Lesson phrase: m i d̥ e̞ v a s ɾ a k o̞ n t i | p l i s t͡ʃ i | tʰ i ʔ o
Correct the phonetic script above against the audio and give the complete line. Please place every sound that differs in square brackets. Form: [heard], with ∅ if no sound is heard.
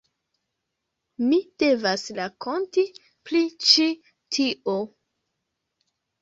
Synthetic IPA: m i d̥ e̞ v a s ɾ a k o̞ n t i | p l i [∅] t͡ʃ i | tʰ i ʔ o